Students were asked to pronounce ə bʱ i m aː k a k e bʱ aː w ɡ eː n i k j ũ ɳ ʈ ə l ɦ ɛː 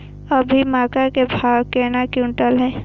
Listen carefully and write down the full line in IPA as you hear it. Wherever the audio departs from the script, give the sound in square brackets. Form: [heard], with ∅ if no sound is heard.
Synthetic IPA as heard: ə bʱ i m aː k a k e bʱ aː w [k] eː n [a] k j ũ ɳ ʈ ə l ɦ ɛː